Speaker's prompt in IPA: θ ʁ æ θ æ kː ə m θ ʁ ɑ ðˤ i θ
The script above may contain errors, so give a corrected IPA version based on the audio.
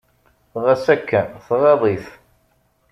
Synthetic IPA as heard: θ ʁ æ s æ kː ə n θ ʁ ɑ ðˤ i θ